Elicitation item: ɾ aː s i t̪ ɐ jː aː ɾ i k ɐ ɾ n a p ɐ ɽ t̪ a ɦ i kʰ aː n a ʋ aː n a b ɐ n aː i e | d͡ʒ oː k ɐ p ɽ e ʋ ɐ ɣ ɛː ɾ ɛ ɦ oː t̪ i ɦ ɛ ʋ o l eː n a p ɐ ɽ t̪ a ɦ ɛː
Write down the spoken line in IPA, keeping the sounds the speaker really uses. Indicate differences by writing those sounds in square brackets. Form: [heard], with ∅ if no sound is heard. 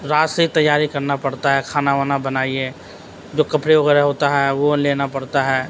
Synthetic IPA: ɾ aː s i t̪ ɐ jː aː ɾ i k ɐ ɾ n a p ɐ ɽ t̪ a ɦ [ɛ] kʰ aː n a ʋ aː n a b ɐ n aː i e | d͡ʒ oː k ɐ p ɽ e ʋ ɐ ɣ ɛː ɾ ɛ ɦ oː t̪ [a] ɦ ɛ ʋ o l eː n a p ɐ ɽ t̪ a ɦ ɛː